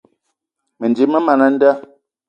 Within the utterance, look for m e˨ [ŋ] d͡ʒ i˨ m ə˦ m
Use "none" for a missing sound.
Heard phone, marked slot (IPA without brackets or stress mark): n